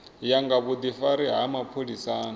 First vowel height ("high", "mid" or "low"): low